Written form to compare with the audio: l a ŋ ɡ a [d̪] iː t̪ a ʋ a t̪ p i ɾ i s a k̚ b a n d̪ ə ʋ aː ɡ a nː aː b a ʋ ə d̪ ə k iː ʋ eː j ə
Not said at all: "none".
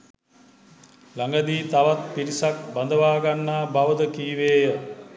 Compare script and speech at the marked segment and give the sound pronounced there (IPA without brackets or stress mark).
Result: d̪